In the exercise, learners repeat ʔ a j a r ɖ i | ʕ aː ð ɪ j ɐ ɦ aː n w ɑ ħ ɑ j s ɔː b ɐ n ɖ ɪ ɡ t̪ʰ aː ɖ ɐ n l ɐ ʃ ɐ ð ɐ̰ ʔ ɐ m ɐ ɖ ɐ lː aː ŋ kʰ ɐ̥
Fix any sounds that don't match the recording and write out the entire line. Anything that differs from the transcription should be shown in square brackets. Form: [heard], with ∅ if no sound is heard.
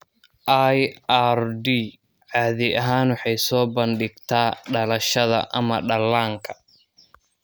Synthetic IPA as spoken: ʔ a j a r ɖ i | ʕ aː ð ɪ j ɐ ɦ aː n w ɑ ħ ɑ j s ɔː b ɐ n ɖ ɪ ɡ t̪ʰ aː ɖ ɐ [∅] l ɐ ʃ ɐ ð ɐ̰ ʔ ɐ m ɐ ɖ ɐ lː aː ŋ kʰ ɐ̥